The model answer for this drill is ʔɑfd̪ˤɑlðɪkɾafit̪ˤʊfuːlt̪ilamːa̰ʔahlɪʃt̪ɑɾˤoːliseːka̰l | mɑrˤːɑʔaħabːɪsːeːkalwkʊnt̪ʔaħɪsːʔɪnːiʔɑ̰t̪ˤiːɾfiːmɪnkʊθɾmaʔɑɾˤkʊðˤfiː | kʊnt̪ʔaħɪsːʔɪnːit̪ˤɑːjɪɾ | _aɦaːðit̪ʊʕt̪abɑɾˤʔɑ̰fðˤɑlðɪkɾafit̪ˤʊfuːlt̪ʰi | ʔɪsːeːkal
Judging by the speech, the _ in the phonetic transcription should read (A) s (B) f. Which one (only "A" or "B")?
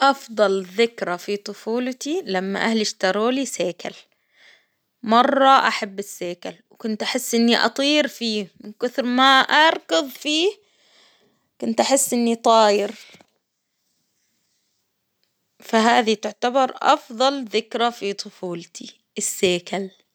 B